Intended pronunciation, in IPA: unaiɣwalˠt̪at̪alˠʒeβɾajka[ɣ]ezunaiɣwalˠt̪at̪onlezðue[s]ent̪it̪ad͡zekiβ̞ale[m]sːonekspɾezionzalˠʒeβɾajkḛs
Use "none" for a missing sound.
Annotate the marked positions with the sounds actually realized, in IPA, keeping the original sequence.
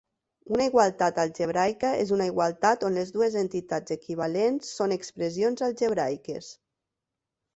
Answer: none, z, n

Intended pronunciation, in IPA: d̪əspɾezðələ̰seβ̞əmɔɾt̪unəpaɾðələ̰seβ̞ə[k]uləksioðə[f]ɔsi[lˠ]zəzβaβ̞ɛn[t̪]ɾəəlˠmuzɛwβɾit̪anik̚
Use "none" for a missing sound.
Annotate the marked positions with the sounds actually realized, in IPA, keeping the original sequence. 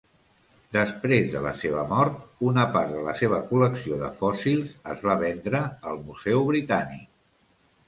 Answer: k, f, lˠ, d̪

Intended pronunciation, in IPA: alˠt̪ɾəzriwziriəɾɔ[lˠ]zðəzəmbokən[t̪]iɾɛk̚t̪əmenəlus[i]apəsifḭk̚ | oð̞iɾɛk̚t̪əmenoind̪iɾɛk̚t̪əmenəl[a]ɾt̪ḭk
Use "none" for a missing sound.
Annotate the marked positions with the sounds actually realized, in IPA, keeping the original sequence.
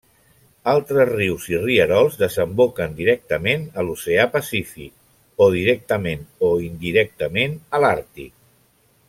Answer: lˠ, d̪, e, a

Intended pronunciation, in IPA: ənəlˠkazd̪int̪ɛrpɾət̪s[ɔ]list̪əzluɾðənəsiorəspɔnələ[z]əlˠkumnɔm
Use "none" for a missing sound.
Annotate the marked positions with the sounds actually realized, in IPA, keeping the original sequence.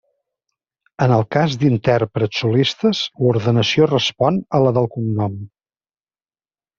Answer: u, ð

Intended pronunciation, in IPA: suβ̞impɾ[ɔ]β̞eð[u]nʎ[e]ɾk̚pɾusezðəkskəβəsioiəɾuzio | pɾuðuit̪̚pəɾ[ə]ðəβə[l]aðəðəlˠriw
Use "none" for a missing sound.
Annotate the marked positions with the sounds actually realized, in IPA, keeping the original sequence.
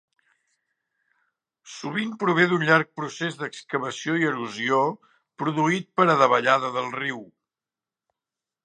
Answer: u, u, a, ə, ʎ

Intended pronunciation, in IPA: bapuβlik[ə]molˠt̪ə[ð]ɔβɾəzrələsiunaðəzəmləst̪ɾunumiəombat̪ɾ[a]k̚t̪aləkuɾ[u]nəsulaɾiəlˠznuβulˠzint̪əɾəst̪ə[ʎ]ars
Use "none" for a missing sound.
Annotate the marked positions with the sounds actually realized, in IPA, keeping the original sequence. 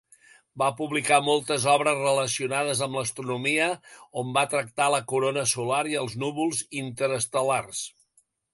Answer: a, z, ə, o, l

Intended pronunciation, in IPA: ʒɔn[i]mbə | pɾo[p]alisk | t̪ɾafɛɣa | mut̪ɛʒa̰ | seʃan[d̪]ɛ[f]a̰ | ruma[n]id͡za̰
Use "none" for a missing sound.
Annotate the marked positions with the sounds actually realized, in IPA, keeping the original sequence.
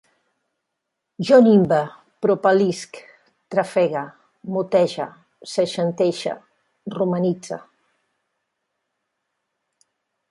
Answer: i, p, t̪, ʃ, n

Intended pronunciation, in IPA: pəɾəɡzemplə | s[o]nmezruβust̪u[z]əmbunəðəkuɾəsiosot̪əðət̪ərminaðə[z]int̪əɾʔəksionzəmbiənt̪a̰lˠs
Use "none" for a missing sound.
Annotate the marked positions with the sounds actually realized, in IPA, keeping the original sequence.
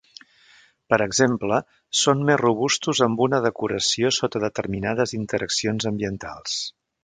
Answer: o, z, z

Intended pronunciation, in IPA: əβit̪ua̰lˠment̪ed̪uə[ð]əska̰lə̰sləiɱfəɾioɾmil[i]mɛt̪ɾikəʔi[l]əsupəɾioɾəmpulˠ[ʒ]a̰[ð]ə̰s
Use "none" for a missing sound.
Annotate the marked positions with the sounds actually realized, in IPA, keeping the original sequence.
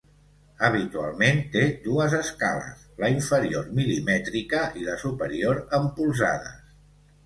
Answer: z, i, l, z, ð

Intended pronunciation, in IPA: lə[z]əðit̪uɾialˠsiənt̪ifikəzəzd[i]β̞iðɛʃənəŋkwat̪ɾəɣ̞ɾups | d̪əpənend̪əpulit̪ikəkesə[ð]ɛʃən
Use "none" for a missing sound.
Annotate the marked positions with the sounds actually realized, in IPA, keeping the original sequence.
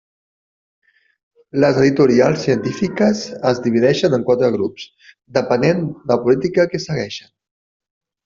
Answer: z, i, ɣ

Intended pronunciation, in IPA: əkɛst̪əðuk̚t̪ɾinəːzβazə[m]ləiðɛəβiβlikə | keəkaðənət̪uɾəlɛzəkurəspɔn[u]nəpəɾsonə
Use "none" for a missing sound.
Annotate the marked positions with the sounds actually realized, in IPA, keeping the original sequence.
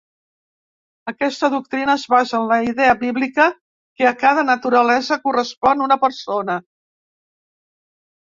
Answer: n, u

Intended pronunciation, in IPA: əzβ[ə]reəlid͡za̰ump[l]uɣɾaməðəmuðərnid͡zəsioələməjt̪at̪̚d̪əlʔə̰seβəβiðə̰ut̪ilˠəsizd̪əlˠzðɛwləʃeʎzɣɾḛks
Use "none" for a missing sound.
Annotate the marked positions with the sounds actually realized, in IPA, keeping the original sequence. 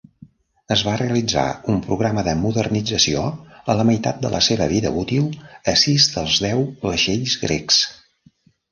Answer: a, ɾ

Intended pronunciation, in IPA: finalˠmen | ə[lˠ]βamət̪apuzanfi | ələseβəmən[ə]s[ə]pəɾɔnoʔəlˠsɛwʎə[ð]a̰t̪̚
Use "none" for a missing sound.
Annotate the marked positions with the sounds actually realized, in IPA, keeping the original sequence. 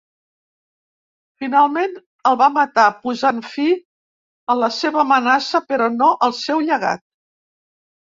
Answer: lˠ, a, ə, ɣ

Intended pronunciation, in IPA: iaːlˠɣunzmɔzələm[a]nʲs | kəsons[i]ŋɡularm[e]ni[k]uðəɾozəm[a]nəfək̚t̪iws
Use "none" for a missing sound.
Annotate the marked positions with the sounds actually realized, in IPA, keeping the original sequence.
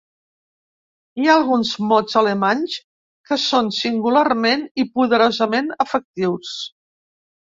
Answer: a, i, e, p, e

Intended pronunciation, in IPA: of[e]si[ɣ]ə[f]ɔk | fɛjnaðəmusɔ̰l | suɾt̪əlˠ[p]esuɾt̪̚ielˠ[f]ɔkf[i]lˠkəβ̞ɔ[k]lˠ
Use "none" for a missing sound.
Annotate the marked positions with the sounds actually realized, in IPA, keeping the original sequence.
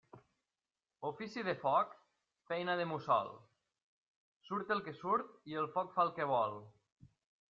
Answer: i, ð, f, k, f, a, none

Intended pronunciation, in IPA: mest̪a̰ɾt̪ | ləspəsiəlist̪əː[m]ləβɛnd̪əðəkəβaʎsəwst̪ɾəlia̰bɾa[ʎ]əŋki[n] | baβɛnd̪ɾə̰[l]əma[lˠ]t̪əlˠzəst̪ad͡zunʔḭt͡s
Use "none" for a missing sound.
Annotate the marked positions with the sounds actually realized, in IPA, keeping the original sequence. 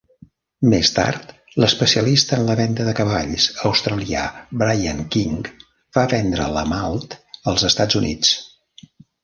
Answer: n, j, ŋ, l, lˠ

